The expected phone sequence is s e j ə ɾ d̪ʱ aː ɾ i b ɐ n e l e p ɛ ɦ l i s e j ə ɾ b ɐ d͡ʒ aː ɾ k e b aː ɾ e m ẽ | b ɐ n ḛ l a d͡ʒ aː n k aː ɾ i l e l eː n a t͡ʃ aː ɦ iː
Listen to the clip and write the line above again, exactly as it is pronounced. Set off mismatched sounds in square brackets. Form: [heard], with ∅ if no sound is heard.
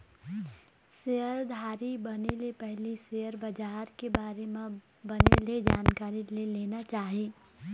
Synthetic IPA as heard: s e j ə ɾ d̪ʱ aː ɾ i b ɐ n e l e p ɛ ɦ l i s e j ə ɾ b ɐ d͡ʒ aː ɾ k e b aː ɾ e m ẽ | b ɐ n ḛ l [e] d͡ʒ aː n k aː ɾ i l e l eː n a t͡ʃ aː ɦ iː